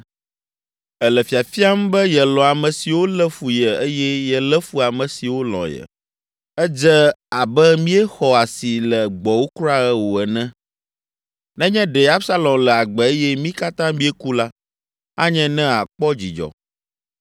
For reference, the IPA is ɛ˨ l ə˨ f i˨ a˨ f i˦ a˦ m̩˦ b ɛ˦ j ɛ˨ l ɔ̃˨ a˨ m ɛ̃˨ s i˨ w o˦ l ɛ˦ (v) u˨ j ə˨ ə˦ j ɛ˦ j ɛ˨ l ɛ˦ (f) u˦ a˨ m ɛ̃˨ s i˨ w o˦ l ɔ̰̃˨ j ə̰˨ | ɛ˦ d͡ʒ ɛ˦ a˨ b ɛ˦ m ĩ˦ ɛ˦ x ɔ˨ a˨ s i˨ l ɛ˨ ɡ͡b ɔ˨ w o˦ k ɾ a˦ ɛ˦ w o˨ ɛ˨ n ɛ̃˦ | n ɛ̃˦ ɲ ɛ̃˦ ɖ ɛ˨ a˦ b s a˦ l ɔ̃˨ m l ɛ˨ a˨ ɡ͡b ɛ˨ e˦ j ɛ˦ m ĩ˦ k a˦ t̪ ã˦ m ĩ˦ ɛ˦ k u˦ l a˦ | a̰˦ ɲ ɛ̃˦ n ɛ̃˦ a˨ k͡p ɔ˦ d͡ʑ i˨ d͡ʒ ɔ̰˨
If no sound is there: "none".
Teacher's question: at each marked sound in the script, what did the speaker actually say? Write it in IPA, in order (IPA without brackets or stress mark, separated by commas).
f, f